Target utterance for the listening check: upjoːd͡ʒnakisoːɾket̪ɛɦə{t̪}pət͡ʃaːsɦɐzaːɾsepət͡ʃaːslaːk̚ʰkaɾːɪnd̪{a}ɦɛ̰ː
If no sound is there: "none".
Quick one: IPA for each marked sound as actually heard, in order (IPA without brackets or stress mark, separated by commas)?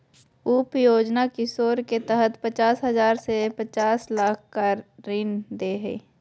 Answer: t̪, e